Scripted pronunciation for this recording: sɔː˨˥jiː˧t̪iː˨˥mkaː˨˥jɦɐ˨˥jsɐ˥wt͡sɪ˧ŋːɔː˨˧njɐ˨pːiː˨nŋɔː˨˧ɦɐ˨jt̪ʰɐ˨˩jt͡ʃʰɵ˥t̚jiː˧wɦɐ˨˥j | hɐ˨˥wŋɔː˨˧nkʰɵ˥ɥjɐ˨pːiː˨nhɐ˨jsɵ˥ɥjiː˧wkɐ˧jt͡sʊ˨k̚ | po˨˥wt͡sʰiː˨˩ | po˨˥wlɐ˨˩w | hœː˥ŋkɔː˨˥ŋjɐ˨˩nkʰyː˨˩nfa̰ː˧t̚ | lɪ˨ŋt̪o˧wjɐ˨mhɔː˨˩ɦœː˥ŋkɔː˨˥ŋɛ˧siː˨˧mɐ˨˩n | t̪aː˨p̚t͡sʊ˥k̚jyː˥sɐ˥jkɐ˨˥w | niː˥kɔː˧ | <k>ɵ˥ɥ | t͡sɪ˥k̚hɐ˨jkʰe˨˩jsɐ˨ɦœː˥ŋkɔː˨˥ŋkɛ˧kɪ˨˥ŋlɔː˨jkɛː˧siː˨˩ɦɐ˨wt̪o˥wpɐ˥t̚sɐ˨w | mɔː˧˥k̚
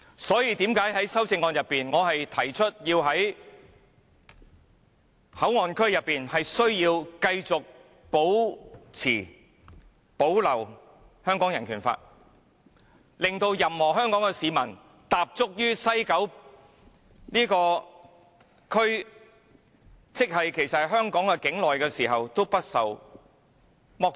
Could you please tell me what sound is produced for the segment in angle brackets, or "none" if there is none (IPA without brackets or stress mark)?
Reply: kʰ